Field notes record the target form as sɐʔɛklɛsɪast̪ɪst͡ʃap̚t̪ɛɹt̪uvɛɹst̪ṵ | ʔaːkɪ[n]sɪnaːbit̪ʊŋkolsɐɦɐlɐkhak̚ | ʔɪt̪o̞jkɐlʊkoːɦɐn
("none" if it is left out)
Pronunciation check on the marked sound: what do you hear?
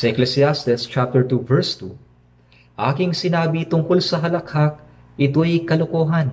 ŋ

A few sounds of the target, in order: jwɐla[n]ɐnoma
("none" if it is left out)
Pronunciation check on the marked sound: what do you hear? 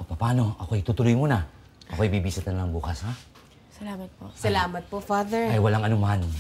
ŋ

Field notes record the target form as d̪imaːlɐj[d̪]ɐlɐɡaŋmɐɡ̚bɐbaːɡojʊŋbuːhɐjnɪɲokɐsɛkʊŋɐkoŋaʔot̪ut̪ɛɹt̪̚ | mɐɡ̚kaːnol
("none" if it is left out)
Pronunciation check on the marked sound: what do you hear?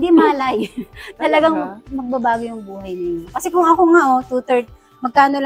t̪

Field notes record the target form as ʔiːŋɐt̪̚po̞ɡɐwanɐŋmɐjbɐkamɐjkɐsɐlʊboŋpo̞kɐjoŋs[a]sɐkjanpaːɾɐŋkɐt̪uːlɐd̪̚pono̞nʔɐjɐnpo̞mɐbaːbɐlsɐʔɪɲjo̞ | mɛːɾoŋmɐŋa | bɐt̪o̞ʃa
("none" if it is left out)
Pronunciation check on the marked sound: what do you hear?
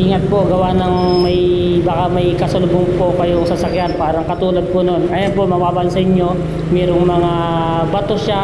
ɐ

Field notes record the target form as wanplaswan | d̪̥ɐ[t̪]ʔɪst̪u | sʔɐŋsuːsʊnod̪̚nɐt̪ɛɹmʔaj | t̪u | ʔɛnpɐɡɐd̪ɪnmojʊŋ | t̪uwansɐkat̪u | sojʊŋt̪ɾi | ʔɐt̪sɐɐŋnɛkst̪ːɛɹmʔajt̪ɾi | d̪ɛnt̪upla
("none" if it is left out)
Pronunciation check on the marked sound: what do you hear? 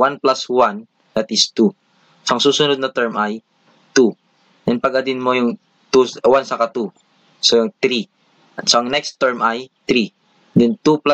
t̪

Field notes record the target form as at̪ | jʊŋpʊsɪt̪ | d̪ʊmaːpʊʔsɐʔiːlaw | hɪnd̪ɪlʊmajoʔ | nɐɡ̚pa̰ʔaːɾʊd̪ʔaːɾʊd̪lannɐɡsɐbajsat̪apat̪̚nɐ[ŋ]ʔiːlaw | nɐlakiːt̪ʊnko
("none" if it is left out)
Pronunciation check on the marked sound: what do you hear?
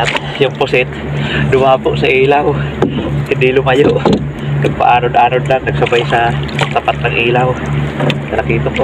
ŋ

